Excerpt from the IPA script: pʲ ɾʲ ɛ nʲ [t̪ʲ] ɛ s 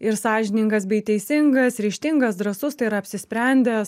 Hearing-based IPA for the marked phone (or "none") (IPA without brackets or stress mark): d̪ʲ